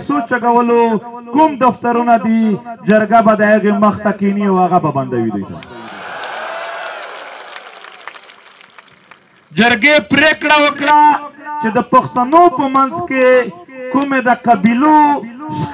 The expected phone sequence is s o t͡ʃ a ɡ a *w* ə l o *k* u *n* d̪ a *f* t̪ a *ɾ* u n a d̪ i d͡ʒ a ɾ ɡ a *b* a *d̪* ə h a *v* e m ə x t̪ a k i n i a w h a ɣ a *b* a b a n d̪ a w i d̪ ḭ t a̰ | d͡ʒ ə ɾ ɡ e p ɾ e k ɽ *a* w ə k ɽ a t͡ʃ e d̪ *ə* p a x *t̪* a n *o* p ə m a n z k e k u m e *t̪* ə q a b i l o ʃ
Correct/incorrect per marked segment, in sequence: correct, correct, incorrect, correct, correct, correct, correct, incorrect, correct, correct, correct, correct, correct, incorrect

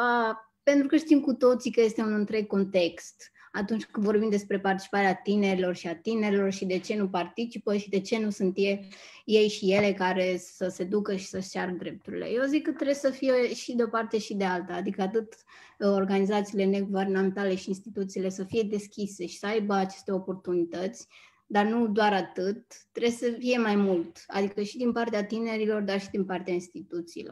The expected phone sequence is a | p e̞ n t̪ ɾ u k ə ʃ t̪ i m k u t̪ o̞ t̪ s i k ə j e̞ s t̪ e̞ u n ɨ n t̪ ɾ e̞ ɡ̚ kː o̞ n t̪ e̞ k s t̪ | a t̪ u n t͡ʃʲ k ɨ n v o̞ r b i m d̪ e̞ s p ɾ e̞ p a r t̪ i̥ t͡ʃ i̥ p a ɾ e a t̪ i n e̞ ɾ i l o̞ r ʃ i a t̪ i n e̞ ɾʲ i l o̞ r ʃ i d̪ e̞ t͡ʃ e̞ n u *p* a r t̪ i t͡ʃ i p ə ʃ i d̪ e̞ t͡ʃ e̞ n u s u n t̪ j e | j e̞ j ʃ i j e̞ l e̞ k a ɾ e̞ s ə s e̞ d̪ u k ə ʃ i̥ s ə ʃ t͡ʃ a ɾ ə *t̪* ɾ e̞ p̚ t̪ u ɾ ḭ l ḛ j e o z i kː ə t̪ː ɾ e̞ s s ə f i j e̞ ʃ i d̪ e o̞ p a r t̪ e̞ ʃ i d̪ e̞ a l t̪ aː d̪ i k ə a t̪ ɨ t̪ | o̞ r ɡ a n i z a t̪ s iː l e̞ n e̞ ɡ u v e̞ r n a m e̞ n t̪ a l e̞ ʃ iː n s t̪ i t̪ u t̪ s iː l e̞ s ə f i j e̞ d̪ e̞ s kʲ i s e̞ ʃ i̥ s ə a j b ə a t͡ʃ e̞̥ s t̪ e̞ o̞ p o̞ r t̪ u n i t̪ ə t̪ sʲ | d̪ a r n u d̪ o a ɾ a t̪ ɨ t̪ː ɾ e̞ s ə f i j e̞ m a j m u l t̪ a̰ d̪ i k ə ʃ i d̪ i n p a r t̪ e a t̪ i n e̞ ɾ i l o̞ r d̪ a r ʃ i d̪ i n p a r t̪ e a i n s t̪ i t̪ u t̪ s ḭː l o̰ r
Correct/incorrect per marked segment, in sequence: correct, incorrect

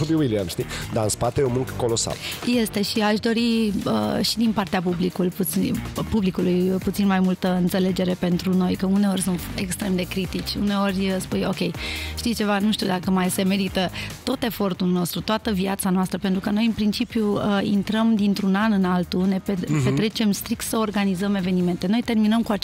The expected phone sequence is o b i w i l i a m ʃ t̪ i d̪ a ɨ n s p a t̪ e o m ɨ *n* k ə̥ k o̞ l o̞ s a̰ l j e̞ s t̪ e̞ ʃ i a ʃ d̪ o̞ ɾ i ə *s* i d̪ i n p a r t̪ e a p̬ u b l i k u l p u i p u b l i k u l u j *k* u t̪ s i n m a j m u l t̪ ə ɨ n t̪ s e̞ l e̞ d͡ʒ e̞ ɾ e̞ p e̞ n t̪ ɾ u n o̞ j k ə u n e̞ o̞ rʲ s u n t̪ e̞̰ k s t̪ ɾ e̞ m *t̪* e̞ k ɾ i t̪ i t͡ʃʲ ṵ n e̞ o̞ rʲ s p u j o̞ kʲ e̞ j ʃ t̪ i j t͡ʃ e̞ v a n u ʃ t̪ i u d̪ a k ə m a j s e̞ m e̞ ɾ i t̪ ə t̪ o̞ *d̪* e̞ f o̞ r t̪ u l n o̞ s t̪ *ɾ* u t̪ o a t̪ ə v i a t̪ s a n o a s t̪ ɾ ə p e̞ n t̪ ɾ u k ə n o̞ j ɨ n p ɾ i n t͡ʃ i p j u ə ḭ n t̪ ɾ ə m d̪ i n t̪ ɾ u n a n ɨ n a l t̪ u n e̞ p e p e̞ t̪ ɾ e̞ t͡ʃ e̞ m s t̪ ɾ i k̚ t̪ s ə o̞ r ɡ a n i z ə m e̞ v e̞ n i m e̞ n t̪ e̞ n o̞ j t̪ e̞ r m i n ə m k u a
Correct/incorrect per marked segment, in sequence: incorrect, incorrect, incorrect, incorrect, incorrect, correct

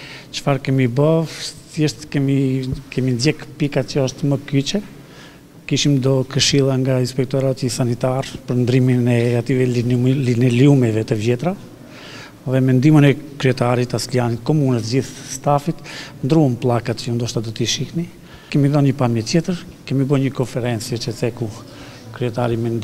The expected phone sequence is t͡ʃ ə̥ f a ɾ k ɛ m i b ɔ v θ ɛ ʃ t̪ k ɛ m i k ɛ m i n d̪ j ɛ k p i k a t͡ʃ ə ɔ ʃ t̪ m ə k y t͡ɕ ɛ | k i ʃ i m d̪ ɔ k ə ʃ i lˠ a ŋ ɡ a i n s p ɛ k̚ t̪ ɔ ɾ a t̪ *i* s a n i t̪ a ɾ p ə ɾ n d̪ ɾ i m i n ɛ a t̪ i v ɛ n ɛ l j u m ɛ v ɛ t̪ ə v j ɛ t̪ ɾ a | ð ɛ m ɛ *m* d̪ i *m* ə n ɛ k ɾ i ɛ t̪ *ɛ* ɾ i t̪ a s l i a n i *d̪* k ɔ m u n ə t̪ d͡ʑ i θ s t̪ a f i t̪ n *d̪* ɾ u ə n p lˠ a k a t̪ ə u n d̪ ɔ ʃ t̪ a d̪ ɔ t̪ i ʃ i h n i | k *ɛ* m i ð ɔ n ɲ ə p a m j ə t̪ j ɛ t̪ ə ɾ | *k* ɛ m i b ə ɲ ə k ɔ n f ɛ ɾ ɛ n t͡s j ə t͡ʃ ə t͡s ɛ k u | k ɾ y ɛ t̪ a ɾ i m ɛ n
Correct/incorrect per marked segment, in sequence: correct, incorrect, correct, incorrect, incorrect, correct, correct, correct

